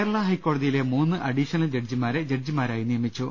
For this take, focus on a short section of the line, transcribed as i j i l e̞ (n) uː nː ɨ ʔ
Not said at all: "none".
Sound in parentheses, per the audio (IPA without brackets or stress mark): m